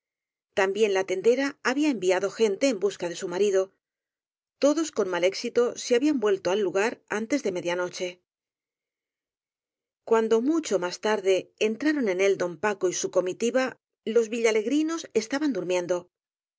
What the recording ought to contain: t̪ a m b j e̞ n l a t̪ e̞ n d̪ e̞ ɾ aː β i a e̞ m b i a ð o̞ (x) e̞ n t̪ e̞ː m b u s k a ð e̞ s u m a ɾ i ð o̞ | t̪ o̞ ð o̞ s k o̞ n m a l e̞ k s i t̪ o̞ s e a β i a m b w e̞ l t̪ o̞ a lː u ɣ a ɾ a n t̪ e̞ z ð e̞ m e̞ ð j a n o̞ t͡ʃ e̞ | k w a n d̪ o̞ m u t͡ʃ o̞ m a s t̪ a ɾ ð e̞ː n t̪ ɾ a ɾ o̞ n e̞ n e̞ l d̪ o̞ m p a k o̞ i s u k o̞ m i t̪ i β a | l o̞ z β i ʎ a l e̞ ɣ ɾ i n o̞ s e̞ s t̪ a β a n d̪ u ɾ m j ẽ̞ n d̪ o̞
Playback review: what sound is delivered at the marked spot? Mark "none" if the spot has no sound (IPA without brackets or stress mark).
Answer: x